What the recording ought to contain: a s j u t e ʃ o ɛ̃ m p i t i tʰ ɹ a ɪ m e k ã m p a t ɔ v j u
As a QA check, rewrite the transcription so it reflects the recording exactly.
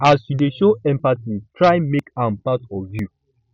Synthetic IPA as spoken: a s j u d e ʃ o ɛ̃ m p a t i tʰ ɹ a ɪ m e k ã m p a t ɔ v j u